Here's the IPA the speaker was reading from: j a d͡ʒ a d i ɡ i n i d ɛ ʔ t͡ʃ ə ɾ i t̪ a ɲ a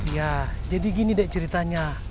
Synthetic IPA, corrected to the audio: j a d͡ʒ a d i ɡ i n i d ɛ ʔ t͡ʃ ə ɾ i t̪ a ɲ a